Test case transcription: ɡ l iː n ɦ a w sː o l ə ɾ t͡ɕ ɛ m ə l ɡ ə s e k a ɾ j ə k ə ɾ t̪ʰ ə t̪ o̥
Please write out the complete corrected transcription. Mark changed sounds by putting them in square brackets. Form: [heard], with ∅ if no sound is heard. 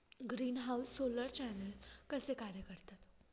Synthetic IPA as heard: ɡ [ɾ] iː n ɦ a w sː o l ə ɾ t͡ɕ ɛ [n] ə l [k] ə s e k a ɾ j ə k ə ɾ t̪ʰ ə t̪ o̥